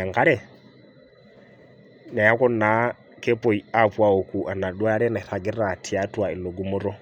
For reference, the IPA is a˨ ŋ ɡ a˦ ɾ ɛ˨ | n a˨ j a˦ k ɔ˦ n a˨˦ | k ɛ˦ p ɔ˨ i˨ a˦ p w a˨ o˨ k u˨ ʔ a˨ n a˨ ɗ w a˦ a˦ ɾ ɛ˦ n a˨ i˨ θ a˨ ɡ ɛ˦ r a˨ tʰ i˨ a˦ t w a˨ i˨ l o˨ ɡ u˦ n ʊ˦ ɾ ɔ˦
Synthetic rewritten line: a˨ ŋ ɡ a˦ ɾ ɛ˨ | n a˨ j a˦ k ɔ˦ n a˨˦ | k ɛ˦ p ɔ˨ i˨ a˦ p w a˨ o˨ k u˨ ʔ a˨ n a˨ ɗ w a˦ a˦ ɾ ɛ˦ n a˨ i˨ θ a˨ ɡ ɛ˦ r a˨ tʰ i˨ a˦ t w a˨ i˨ l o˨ ɡ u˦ m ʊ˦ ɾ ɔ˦